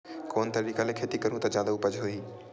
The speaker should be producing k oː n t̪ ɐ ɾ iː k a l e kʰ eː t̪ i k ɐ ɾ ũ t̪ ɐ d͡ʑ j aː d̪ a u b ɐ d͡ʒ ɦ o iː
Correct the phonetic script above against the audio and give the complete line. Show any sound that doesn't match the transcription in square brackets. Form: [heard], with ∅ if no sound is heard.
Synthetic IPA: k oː n t̪ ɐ ɾ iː k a l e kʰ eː t̪ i k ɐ ɾ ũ t̪ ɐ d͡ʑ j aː d̪ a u [p] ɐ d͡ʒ ɦ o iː

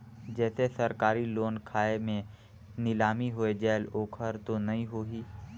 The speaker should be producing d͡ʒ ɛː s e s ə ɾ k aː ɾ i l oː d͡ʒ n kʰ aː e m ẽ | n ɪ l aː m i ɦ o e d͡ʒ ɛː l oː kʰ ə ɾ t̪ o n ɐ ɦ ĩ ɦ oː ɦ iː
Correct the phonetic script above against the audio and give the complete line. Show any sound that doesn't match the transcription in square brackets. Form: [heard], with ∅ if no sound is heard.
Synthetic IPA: d͡ʒ ɛː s e s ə ɾ k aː ɾ i l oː [∅] n kʰ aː e m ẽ | n ɪ l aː m i ɦ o e d͡ʒ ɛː l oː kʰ ə ɾ t̪ o n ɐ ɦ ĩ ɦ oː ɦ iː

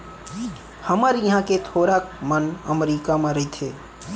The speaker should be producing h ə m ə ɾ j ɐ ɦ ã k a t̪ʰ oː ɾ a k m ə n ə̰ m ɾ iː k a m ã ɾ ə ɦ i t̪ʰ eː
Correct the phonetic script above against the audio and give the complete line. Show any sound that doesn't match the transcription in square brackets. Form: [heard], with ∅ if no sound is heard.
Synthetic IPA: h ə m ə ɾ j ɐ ɦ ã k [e] t̪ʰ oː ɾ a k m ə n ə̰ m ɾ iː k a m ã ɾ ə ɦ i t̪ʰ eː

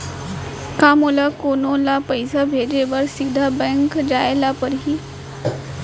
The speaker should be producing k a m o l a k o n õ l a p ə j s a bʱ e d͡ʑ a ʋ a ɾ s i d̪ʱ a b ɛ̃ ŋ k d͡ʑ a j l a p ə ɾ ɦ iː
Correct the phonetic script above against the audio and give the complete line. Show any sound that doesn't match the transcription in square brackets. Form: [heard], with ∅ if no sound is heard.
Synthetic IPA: k a m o l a k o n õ l a p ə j s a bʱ e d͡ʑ [e] ʋ [ə] ɾ s i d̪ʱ a b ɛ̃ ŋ k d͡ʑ a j l a p ə ɾ ɦ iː

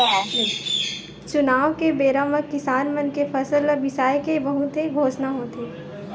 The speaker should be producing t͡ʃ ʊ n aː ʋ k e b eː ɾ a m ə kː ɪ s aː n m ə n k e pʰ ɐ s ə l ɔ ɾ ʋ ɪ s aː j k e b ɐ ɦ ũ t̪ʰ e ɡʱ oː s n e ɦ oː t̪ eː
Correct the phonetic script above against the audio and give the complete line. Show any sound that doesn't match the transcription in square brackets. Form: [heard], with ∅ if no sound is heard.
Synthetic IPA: t͡ʃ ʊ n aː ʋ k e b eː ɾ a m ə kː ɪ s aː n m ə n k e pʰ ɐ s ə l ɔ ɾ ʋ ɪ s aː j k e b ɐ ɦ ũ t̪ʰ e ɡʱ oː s n [a] ɦ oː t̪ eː

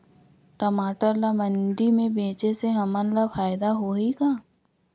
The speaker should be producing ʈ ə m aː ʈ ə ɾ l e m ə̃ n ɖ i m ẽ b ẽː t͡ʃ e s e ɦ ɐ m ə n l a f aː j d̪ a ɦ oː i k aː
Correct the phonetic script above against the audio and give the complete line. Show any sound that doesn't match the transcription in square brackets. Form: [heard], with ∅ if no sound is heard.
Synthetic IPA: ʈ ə m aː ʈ ə ɾ l [a] m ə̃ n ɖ i m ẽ b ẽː t͡ʃ e s e ɦ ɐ m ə n l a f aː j d̪ a ɦ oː i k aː

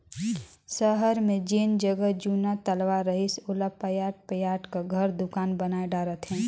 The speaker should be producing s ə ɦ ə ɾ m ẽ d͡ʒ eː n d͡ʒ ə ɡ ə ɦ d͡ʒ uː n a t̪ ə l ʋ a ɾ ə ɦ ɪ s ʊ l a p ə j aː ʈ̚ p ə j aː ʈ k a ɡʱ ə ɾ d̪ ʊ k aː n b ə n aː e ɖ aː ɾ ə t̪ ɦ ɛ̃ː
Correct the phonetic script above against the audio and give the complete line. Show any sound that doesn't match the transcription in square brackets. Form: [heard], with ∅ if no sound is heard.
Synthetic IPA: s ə ɦ ə ɾ m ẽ d͡ʒ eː n d͡ʒ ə ɡ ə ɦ d͡ʒ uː n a t̪ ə l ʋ a ɾ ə ɦ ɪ s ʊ l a p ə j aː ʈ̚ p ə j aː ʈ k a ɡʱ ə ɾ d̪ ʊ k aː n b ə n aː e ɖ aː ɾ ə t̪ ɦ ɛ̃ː

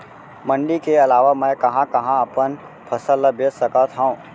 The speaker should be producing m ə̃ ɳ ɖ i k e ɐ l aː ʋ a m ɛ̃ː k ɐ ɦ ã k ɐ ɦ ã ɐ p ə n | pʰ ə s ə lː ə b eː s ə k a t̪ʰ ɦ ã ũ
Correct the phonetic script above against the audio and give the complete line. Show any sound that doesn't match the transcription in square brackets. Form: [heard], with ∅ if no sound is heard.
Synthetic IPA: m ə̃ ɳ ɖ i k e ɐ l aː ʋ a m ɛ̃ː k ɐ ɦ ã k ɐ ɦ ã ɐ p ə n | pʰ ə s ə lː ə b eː s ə k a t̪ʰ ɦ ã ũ

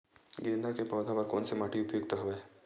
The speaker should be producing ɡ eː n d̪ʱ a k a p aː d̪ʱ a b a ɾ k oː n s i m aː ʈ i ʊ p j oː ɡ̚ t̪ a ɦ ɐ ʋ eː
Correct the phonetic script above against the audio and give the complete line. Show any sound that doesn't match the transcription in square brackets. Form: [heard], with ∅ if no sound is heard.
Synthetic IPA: ɡ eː n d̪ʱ a k [e] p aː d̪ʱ a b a ɾ k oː n s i m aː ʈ i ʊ p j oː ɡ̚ t̪ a ɦ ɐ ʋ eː

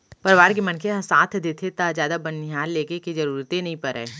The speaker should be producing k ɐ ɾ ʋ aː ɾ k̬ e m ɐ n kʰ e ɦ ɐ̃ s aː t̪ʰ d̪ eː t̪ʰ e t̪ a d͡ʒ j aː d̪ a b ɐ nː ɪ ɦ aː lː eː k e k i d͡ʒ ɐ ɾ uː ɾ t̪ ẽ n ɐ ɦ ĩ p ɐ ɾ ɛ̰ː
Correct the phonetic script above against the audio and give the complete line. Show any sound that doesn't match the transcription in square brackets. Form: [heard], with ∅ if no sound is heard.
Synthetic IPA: [p] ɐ ɾ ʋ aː ɾ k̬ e m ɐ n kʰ e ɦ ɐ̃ s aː t̪ʰ d̪ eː t̪ʰ e t̪ a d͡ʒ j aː d̪ a b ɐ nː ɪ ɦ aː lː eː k e k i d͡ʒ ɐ ɾ uː ɾ t̪ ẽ n ɐ ɦ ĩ p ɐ ɾ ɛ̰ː

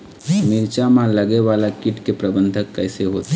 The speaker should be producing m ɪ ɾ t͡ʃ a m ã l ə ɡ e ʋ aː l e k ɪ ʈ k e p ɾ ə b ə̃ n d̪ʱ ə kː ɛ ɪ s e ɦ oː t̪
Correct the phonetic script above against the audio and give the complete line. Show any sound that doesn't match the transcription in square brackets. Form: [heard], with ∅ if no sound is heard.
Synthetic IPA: m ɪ ɾ t͡ʃ a m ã l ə ɡ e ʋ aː l [a] k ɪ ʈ k e p ɾ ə b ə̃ n d̪ʱ ə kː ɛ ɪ s e ɦ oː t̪

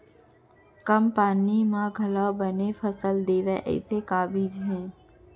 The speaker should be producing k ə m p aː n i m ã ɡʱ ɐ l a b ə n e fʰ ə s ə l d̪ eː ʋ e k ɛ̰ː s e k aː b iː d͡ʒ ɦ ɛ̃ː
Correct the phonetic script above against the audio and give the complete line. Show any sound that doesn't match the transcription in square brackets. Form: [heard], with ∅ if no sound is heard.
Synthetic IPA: k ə m p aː n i m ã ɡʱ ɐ l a b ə n e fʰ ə s ə l d̪ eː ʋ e [ʔ] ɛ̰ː s e k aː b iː d͡ʒ ɦ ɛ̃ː

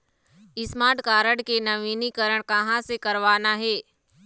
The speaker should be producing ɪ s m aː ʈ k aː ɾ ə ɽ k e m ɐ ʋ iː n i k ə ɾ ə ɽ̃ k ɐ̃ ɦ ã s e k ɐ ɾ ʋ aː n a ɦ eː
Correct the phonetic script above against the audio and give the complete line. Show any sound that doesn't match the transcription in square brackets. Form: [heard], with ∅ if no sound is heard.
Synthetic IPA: ɪ s m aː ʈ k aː ɾ ə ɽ k e [n] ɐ ʋ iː n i k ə ɾ ə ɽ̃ k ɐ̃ ɦ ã s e k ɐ ɾ ʋ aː n a ɦ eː

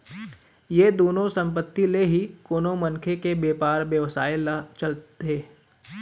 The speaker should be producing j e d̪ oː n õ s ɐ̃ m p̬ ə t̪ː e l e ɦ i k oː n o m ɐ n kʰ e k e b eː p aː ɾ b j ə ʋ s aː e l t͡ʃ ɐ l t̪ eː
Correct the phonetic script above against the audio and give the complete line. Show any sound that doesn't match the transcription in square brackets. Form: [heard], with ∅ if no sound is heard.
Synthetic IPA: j e d̪ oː n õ s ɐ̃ m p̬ ə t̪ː [i] l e ɦ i k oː n o m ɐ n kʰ e k e b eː p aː ɾ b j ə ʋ s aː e l t͡ʃ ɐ l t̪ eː

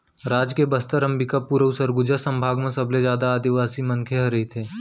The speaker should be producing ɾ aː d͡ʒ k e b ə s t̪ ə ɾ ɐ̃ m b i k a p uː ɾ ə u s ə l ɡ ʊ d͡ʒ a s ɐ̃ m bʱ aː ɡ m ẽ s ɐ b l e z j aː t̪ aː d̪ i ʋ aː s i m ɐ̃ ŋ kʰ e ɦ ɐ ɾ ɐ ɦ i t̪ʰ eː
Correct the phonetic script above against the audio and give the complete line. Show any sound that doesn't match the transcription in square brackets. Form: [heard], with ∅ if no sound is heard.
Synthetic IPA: ɾ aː d͡ʒ k e b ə s t̪ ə ɾ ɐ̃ m b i k a p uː ɾ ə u s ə [ɾ] ɡ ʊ d͡ʒ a s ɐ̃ m bʱ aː ɡ m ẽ s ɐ b l e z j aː [d̪] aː d̪ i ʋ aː s i m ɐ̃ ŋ kʰ e ɦ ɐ ɾ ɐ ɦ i t̪ʰ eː

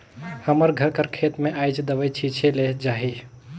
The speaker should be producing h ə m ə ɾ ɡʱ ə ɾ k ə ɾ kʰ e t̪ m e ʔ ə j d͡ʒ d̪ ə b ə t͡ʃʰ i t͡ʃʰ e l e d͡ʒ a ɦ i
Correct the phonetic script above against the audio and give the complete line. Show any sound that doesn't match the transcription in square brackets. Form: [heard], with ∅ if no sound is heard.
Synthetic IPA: h ə m ə ɾ ɡʱ ə ɾ k ə ɾ kʰ e t̪ m e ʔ [a] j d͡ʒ d̪ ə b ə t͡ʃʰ i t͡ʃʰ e l e d͡ʒ a ɦ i

